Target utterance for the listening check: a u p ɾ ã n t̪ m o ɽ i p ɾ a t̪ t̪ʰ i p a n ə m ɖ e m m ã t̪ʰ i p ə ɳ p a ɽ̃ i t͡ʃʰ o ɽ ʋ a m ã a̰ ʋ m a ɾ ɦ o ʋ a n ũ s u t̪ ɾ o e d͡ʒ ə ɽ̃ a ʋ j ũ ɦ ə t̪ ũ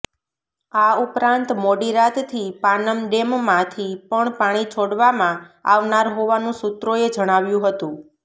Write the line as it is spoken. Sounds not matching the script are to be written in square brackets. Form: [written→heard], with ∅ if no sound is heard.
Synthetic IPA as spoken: a u p ɾ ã n t̪ m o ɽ i [p→∅] ɾ a t̪ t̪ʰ i p a n ə m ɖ e m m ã t̪ʰ i p ə ɳ p a ɽ̃ i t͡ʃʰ o ɽ ʋ a m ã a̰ ʋ [m→n] a ɾ ɦ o ʋ a n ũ s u t̪ ɾ o e d͡ʒ ə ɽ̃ a ʋ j ũ ɦ ə t̪ ũ